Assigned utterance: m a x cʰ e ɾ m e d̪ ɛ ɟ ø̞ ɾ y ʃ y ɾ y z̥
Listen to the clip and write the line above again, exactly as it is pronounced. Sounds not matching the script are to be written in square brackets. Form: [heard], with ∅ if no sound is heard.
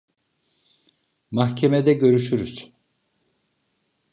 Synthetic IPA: m a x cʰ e [∅] m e d̪ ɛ ɟ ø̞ ɾ y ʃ y ɾ y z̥